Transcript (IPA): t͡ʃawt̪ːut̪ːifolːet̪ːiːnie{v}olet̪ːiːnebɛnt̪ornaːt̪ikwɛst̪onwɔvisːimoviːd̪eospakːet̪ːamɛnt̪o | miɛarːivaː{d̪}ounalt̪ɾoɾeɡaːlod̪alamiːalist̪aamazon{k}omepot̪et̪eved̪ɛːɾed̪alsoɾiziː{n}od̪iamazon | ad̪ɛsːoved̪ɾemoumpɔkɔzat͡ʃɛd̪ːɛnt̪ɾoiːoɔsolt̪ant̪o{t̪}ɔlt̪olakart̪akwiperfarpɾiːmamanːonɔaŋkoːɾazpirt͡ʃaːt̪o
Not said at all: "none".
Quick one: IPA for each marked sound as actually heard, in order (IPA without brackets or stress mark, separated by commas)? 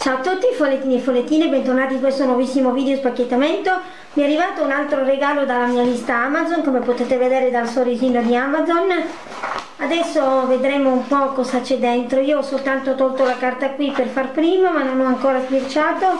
f, t̪, k, n, t̪